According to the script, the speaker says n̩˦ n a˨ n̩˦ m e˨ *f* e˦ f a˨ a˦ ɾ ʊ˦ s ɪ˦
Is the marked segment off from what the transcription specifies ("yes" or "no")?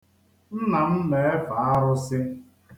yes